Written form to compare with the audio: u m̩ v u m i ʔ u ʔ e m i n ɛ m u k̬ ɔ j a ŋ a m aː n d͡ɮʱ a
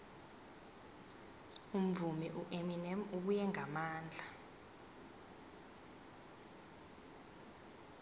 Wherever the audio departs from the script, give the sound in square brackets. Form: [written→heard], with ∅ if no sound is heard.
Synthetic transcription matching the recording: u m̩ v u m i ʔ u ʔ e m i n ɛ m u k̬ [ɔ→u] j [a→ɛ] ŋ a m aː n d͡ɮʱ a